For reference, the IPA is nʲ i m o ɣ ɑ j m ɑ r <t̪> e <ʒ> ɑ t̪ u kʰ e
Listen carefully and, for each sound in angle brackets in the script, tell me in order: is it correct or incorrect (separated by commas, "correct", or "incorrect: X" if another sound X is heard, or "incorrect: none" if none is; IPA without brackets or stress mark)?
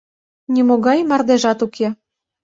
incorrect: d̪, correct